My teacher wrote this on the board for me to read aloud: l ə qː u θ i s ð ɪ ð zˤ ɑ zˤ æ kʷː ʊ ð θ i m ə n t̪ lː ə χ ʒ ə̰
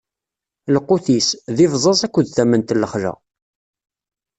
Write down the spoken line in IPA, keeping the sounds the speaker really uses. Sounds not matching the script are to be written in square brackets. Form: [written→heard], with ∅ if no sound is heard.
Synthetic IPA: l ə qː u θ i s ð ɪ [ð→v] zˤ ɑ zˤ æ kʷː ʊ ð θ [i→æ] m ə n t̪ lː ə χ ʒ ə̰